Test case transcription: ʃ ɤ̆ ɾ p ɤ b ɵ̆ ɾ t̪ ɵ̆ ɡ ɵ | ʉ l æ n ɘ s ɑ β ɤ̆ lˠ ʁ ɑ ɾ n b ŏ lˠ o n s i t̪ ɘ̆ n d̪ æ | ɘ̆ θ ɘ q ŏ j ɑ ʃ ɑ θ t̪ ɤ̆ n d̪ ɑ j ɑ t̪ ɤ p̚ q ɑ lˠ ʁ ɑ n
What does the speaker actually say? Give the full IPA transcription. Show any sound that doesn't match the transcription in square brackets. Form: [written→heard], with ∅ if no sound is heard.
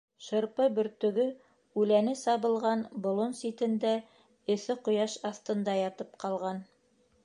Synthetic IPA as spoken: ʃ ɤ̆ ɾ p ɤ b ɵ̆ ɾ t̪ ɵ̆ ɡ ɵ | ʉ l æ n ɘ s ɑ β ɤ̆ lˠ ʁ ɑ [ɾ→∅] n b ŏ lˠ o n s i t̪ ɘ̆ n d̪ æ | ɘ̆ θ ɘ q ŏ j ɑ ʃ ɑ θ t̪ ɤ̆ n d̪ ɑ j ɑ t̪ ɤ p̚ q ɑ lˠ ʁ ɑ n

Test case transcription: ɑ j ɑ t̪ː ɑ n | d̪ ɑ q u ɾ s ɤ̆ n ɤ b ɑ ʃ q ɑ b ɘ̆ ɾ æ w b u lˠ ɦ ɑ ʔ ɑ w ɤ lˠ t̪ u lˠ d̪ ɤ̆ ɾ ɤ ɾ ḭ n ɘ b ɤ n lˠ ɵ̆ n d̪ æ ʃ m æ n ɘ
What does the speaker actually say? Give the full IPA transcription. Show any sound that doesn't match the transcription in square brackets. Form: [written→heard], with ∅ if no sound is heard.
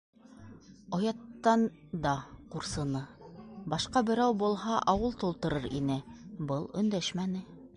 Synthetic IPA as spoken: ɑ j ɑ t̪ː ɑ n | d̪ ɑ q u ɾ s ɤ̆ n ɤ b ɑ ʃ q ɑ b ɘ̆ ɾ æ w b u lˠ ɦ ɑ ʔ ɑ w ɤ lˠ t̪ u lˠ [d̪→t̪] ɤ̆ ɾ ɤ ɾ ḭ n ɘ b ɤ [n→∅] lˠ ɵ̆ n d̪ æ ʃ m æ n ɘ

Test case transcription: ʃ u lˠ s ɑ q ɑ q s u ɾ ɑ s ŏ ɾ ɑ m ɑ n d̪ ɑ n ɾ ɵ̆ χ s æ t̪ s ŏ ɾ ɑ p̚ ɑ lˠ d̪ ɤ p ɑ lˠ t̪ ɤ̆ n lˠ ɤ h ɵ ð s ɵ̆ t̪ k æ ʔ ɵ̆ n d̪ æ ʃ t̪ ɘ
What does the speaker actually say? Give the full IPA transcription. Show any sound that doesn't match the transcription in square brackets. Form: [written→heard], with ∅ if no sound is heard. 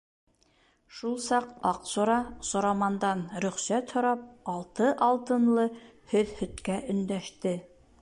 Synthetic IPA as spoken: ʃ u lˠ s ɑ q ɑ q s u ɾ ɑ s ŏ ɾ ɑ m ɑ n d̪ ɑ n ɾ ɵ̆ χ s æ t̪ [s→h] ŏ ɾ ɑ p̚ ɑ lˠ [d̪→t̪] ɤ [p→ʔ] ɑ lˠ t̪ ɤ̆ n lˠ ɤ h ɵ ð [s→h] ɵ̆ t̪ k æ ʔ ɵ̆ n d̪ æ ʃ t̪ ɘ

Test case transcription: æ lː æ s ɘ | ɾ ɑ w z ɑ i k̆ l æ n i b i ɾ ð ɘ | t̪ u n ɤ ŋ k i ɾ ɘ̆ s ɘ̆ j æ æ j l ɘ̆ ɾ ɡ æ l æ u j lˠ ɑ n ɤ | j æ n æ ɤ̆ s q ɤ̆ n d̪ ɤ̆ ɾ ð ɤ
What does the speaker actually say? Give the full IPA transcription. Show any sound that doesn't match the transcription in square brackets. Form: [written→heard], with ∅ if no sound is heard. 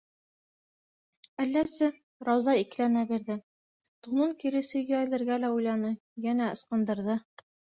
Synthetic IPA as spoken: æ lː æ s ɘ | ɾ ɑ w z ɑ i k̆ l æ n [i→æ] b i ɾ ð ɘ | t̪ u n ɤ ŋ k i ɾ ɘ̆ s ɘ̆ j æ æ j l ɘ̆ ɾ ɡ æ l æ u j lˠ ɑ n ɤ | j æ n æ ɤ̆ s q ɤ̆ n d̪ ɤ̆ ɾ ð ɤ

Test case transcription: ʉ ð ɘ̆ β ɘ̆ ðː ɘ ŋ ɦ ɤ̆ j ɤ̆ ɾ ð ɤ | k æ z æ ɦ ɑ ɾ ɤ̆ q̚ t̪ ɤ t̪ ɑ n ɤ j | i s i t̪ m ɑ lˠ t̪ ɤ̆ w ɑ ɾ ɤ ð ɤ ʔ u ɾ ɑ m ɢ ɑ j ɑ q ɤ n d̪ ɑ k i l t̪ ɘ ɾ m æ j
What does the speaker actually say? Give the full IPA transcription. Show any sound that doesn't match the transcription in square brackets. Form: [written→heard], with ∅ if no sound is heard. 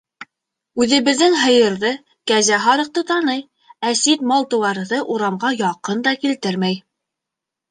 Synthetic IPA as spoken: ʉ ð ɘ̆ β ɘ̆ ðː ɘ ŋ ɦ ɤ̆ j ɤ̆ ɾ ð ɤ | k æ z æ ɦ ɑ ɾ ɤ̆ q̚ t̪ ɤ t̪ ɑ n ɤ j | [i→æ] s i t̪ m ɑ lˠ t̪ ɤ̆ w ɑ ɾ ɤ ð ɤ ʔ u ɾ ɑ m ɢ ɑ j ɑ q ɤ n d̪ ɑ k i l t̪ ɘ ɾ m æ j

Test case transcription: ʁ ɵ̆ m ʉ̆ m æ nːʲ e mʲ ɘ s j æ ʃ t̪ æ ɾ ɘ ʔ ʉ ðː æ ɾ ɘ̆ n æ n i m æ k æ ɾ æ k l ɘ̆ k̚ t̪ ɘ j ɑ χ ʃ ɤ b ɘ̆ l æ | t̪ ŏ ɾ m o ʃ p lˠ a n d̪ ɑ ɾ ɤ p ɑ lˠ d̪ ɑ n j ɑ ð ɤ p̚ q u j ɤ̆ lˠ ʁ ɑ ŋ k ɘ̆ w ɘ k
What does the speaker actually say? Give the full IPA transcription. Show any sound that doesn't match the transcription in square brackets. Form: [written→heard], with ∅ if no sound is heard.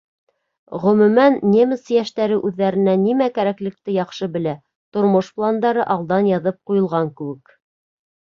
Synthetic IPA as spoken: ʁ ɵ̆ m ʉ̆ m æ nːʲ e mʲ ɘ s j æ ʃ t̪ æ ɾ ɘ ʔ ʉ ðː æ ɾ ɘ̆ n æ n i m æ k æ ɾ æ k l ɘ̆ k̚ t̪ ɘ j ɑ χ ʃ ɤ b ɘ̆ l æ | t̪ ŏ ɾ m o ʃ p lˠ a n d̪ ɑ ɾ ɤ [p→ʔ] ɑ lˠ d̪ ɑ n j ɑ ð ɤ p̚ q u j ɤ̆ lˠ ʁ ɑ ŋ k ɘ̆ w ɘ k

